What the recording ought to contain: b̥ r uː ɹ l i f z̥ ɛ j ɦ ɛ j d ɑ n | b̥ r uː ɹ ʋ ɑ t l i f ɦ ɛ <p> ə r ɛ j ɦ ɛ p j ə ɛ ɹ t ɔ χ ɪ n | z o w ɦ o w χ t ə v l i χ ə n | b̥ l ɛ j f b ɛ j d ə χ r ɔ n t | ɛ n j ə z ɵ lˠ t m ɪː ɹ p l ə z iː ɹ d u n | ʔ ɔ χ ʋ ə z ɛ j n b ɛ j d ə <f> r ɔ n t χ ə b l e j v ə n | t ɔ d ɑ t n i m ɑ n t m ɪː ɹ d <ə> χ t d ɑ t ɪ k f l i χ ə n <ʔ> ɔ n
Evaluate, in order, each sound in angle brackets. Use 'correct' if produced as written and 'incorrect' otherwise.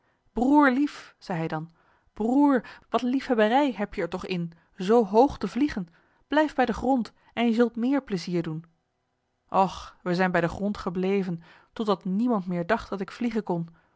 incorrect, incorrect, incorrect, incorrect

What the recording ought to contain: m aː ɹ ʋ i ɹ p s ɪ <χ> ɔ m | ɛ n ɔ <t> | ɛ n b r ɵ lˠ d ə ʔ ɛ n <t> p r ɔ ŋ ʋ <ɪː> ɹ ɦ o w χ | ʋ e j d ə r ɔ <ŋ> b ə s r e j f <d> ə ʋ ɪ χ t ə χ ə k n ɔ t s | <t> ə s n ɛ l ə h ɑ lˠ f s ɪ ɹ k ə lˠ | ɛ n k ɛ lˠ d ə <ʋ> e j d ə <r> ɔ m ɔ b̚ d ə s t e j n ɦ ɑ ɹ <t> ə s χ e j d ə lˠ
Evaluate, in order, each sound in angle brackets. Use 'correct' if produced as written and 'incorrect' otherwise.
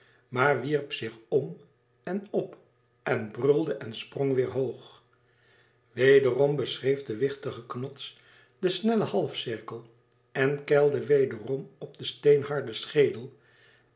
correct, incorrect, incorrect, correct, incorrect, correct, incorrect, correct, correct, incorrect

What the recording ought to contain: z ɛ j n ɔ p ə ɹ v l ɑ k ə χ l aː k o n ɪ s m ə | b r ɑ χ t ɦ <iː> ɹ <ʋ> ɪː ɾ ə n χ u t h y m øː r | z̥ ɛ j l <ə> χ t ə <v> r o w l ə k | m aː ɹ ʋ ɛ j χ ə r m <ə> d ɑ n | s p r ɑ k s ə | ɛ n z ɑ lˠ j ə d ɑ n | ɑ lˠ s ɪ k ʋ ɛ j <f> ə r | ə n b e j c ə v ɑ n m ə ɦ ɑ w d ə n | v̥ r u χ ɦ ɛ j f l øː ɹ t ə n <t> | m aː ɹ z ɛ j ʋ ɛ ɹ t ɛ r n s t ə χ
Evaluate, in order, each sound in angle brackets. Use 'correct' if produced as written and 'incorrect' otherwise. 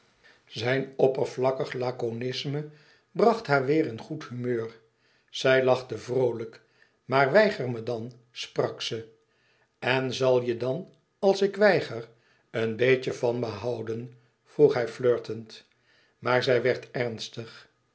incorrect, correct, incorrect, correct, correct, incorrect, correct

